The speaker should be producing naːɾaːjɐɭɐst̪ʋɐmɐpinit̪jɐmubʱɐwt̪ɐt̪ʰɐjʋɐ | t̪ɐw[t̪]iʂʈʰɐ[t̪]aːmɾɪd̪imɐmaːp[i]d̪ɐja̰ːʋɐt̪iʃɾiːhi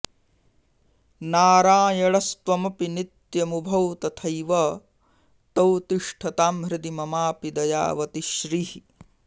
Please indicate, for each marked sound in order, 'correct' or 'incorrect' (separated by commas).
correct, correct, correct